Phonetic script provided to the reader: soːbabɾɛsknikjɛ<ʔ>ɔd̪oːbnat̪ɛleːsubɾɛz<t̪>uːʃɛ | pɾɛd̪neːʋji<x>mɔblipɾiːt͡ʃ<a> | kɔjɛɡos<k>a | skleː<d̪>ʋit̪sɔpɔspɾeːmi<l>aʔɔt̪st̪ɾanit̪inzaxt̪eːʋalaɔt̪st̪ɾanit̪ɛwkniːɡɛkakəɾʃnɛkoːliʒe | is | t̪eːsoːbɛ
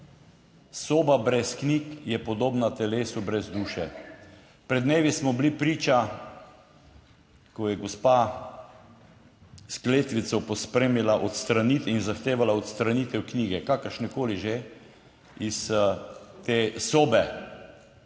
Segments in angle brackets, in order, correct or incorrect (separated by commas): incorrect, incorrect, incorrect, correct, incorrect, incorrect, correct